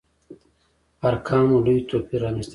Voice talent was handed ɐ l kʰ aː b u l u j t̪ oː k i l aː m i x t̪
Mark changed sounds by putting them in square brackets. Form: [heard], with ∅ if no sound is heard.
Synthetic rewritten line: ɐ [ɾ] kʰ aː [m] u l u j t̪ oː [p] i [ɾ] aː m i [s] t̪